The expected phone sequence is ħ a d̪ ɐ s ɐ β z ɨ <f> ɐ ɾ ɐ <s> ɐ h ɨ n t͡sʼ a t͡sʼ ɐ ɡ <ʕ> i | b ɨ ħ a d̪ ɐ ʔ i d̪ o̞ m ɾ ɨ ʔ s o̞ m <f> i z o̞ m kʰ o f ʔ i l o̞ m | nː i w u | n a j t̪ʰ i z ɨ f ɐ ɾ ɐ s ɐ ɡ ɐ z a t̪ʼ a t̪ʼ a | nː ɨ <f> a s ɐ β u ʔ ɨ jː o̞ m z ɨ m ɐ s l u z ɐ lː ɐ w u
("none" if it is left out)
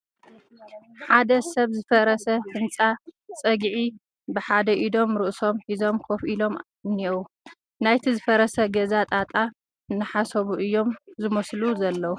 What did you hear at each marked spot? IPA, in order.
f, s, ʕ, ħ, ħ

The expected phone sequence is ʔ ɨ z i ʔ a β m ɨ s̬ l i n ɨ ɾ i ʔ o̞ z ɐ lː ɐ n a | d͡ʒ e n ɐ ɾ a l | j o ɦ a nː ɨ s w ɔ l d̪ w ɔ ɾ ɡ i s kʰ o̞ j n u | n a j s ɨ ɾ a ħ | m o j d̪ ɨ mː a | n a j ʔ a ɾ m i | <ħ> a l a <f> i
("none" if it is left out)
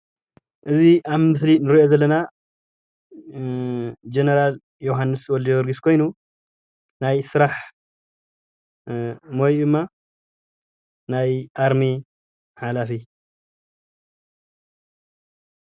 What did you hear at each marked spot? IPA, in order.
ħ, f

